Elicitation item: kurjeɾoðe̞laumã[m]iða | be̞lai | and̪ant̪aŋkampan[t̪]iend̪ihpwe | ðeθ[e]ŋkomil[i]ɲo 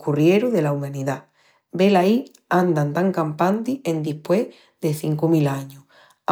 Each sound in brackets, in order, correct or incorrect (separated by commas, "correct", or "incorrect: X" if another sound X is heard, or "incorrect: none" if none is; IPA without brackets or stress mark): incorrect: n, correct, incorrect: i, incorrect: a